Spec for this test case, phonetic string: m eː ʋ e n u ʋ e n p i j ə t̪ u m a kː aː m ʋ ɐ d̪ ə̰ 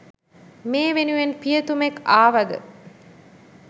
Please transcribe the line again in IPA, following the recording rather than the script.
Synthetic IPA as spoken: m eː ʋ e n u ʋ e n p i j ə t̪ u m e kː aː ʋ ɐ d̪ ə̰